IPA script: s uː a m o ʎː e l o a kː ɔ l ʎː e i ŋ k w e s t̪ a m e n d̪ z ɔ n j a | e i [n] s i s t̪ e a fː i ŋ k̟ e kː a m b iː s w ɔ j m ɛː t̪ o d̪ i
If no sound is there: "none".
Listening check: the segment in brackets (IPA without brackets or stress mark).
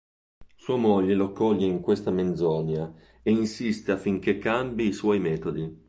n